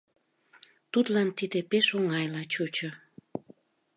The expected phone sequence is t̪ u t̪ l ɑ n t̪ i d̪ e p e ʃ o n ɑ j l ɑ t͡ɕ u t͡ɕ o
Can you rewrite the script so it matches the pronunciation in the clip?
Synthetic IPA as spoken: t̪ u t̪ l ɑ n t̪ i d̪ e p e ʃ o ŋ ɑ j l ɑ t͡ɕ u t͡ɕ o